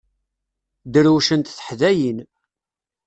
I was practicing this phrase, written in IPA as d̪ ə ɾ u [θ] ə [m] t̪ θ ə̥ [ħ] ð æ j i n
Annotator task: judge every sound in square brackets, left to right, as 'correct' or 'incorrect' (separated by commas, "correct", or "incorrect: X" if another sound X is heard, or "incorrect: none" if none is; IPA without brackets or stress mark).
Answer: incorrect: ʃ, incorrect: n, correct